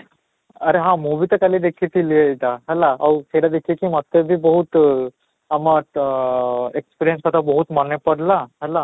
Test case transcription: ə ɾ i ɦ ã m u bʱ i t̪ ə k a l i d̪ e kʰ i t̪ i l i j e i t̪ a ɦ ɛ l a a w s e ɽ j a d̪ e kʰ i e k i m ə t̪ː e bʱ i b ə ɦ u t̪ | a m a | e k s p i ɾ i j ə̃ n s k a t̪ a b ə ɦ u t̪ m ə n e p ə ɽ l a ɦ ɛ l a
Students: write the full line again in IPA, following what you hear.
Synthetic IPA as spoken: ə ɾ e ɦ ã m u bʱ i t̪ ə k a l i d̪ e kʰ i t̪ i l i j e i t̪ a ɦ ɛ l a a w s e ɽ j a d̪ e kʰ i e k i m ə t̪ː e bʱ i b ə ɦ u t̪ | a m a | e k s p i ɾ i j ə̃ n s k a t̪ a b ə ɦ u t̪ m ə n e p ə ɽ l a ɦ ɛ l a